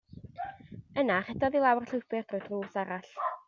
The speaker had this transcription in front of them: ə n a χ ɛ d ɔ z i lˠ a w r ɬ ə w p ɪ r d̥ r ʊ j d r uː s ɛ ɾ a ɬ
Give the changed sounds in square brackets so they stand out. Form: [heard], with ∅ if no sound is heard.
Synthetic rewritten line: ə n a χ ɛ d ɔ [ð] i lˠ a w r ɬ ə w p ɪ r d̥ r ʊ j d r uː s [a] ɾ a ɬ